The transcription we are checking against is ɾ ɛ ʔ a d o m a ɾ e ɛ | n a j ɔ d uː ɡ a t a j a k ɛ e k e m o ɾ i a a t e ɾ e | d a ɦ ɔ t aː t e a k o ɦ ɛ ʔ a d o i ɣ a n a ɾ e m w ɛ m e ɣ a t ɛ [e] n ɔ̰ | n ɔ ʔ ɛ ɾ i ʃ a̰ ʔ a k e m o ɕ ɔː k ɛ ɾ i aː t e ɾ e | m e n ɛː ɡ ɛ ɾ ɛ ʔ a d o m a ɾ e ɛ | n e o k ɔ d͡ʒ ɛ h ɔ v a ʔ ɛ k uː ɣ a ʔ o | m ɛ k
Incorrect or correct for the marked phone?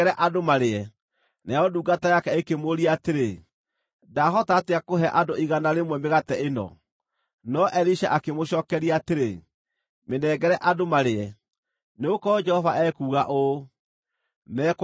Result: correct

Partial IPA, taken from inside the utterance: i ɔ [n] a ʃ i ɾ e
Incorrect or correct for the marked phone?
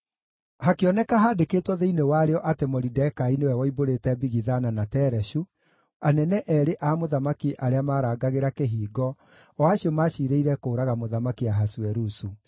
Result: incorrect: m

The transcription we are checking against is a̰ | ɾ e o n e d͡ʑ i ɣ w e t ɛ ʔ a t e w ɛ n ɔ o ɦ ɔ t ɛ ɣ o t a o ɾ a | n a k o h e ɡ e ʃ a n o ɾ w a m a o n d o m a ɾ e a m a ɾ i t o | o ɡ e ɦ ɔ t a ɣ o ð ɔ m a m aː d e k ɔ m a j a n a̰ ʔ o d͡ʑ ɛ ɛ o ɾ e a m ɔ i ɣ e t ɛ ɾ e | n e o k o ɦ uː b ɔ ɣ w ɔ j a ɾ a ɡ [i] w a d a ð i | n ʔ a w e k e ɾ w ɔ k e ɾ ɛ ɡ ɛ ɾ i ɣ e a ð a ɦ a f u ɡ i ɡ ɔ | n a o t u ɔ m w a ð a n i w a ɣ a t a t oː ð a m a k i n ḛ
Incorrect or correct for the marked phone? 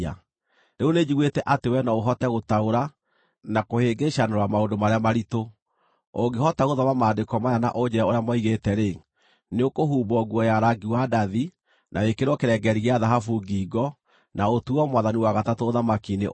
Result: correct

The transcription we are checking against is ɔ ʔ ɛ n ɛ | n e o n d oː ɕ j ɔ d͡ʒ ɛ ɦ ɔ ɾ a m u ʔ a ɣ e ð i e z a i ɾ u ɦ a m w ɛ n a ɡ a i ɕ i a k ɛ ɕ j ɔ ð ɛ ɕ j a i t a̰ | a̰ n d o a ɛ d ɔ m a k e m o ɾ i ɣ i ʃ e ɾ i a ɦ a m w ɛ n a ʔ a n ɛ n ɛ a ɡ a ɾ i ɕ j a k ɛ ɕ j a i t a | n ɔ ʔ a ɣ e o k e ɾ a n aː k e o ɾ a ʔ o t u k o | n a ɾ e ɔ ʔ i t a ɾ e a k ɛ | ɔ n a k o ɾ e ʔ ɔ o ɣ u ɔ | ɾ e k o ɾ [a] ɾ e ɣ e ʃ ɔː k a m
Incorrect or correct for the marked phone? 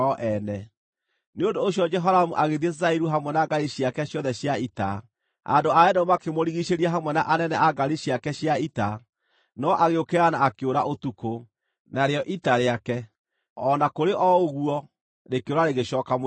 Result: correct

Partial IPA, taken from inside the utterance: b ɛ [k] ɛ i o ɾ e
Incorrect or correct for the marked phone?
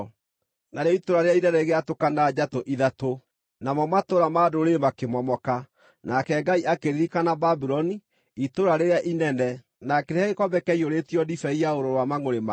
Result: correct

